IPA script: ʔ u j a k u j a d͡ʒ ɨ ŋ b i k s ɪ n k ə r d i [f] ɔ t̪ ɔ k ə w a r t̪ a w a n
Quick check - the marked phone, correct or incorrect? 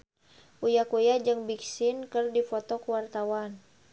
correct